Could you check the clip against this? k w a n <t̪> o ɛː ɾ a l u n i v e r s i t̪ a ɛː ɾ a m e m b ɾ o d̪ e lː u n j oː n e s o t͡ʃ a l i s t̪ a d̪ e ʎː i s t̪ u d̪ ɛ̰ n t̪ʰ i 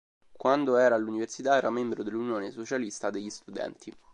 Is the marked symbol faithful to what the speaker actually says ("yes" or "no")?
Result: no